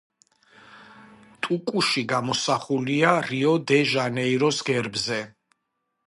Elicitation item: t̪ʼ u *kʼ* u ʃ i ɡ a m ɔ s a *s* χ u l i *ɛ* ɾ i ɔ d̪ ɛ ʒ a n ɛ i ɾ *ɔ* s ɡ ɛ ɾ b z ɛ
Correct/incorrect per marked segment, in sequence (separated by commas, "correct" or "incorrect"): correct, incorrect, incorrect, correct